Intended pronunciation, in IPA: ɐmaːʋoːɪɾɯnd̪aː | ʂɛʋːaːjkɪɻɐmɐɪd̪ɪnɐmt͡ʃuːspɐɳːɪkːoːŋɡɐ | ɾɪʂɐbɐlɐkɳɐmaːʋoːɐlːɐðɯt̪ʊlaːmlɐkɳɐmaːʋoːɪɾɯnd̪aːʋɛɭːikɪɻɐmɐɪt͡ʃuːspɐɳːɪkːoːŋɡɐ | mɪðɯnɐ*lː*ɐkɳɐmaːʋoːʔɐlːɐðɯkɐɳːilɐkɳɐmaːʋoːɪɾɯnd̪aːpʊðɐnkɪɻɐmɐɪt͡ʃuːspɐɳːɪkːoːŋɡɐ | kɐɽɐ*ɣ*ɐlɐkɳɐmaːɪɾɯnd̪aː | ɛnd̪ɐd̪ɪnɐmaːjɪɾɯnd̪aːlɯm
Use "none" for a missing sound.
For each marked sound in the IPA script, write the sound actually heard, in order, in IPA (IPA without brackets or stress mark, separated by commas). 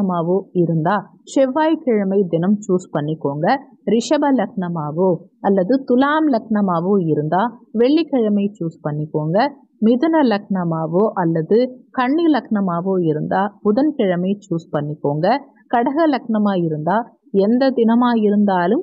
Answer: l, ɣ